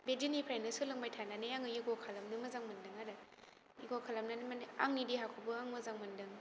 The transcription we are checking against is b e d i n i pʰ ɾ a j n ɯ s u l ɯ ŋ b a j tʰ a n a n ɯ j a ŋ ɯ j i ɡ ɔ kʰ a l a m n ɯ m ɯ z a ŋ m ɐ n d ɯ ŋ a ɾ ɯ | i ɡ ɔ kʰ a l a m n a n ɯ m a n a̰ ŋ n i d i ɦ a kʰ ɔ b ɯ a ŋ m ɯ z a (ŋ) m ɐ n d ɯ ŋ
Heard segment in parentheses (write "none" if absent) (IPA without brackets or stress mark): ŋ